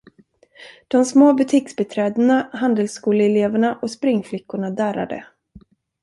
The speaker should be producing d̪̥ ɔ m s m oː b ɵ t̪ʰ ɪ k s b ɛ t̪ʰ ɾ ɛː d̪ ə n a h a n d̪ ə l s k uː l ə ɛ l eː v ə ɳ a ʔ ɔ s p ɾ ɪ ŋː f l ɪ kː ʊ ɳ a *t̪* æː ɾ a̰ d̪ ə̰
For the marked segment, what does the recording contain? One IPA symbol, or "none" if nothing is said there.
d̪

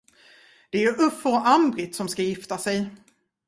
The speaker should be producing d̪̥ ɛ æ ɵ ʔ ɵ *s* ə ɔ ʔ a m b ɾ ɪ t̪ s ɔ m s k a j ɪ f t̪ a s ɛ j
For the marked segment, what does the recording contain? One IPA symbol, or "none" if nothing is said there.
f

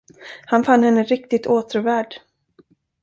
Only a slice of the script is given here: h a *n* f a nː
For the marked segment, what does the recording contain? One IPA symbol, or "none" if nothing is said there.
n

